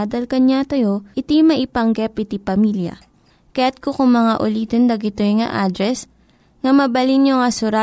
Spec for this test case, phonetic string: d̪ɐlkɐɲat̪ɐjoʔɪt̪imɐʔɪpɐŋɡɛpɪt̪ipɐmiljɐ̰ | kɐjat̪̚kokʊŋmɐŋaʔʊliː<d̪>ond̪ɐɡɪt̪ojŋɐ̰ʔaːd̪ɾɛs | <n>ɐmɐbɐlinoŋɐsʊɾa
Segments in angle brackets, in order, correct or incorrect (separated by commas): incorrect, incorrect